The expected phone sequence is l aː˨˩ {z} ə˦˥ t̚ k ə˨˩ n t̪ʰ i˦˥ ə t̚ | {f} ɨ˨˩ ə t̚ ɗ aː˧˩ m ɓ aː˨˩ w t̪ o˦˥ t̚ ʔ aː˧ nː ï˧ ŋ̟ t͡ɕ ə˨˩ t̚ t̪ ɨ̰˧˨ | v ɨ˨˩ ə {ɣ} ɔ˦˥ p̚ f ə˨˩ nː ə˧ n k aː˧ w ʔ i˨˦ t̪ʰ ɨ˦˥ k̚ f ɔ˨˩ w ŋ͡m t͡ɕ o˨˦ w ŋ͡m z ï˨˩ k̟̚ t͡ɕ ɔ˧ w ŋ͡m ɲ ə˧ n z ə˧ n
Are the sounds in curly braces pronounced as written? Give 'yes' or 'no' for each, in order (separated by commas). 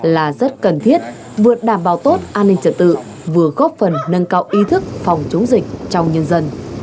yes, no, yes